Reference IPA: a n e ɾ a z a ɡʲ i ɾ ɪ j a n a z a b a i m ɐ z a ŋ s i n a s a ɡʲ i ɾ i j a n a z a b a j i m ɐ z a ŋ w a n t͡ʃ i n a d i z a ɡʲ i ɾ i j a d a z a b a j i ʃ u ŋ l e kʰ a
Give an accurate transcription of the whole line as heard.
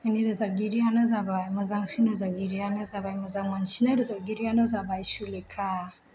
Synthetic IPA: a n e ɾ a z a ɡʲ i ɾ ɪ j a n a z a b a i m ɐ z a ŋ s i n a z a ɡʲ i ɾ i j a n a z a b a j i m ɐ z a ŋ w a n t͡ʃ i n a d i z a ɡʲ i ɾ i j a n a z a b a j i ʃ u l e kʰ a